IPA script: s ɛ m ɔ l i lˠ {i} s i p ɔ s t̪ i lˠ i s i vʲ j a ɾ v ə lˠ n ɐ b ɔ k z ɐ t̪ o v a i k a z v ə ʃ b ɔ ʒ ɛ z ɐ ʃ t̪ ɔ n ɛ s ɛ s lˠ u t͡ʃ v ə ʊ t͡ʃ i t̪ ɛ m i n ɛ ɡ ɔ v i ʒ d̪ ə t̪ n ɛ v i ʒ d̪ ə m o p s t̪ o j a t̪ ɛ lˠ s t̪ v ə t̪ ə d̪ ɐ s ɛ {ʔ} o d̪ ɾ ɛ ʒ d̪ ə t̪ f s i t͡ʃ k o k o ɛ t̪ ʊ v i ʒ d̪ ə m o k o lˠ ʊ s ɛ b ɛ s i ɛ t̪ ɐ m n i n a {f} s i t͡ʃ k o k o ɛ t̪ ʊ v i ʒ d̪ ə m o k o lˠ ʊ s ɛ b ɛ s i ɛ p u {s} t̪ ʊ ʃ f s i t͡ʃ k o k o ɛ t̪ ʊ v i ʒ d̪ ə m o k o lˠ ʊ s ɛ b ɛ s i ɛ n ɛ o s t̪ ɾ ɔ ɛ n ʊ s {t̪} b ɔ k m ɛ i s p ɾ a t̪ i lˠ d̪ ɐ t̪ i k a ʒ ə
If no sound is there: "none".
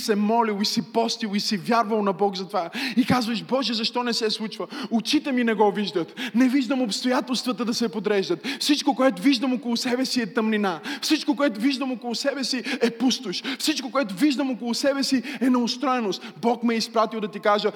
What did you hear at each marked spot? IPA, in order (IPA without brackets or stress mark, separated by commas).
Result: i, p, f, s, t̪